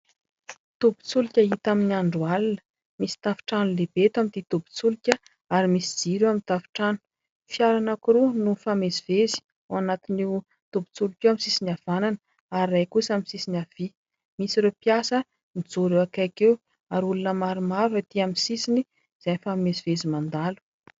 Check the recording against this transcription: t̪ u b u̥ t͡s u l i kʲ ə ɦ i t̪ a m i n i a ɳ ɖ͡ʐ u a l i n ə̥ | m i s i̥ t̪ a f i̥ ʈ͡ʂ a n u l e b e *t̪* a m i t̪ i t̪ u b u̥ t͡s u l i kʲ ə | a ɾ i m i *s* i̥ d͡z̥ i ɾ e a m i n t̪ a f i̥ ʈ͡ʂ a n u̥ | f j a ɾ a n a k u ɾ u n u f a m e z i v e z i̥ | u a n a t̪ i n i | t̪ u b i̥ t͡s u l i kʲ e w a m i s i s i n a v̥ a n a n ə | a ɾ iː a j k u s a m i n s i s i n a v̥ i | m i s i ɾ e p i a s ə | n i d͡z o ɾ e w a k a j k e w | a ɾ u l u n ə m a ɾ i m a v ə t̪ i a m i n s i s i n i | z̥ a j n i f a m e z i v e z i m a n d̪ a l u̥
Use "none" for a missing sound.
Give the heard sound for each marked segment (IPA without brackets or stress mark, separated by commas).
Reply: t̪, s